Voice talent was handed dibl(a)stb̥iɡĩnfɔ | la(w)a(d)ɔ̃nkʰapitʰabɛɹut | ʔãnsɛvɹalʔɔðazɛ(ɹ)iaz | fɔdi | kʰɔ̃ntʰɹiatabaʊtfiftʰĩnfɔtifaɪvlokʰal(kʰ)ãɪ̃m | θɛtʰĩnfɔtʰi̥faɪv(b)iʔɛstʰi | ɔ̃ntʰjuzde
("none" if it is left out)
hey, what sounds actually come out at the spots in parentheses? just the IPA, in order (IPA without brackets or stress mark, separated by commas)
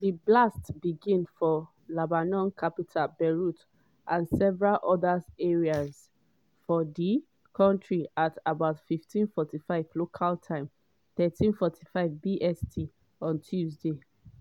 a, b, n, ɹ, tʰ, b